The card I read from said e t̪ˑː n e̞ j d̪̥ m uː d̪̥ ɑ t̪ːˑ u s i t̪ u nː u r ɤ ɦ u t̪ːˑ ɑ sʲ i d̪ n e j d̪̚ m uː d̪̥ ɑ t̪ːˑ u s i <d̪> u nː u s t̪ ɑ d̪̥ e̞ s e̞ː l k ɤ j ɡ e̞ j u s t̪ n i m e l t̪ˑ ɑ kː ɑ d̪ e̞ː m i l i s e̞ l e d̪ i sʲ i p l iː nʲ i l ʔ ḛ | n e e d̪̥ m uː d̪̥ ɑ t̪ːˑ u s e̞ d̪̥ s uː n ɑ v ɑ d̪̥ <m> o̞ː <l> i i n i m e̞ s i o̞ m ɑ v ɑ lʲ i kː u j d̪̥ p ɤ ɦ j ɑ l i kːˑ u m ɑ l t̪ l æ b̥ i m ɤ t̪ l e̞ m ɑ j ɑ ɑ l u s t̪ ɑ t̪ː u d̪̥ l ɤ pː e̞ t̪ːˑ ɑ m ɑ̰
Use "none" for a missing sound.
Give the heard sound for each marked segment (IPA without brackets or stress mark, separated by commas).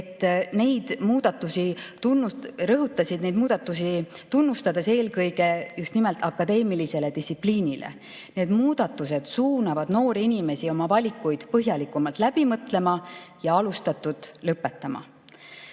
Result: t̪, n, ɾ